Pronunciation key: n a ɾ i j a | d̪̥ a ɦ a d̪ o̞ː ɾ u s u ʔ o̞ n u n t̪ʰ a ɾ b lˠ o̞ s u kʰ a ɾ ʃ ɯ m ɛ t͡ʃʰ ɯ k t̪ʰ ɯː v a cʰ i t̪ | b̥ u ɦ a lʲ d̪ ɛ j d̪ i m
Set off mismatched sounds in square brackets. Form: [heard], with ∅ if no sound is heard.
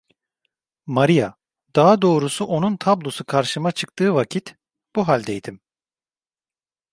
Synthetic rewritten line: [m] a ɾ i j a | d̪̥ a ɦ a d̪ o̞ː ɾ u s u ʔ o̞ n u n t̪ʰ a [∅] b lˠ o̞ s u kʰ a ɾ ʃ ɯ m [a] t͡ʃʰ ɯ k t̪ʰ ɯː v a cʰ i t̪ | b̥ u ɦ a lʲ d̪ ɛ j d̪ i m